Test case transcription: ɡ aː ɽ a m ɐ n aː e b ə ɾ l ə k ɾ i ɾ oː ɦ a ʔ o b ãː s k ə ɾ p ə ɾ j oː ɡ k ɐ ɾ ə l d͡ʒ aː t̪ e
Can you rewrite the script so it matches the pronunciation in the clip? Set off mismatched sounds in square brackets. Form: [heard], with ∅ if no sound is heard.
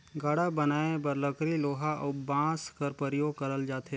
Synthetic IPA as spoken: ɡ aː ɽ a [b] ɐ n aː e b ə ɾ l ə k ɾ i [l] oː ɦ a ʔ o b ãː s k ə ɾ p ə ɾ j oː ɡ k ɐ ɾ ə l d͡ʒ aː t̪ e